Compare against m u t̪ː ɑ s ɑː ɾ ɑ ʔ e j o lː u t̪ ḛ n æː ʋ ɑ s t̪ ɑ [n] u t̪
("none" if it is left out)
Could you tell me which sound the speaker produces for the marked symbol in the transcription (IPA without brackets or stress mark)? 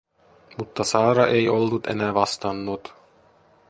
nː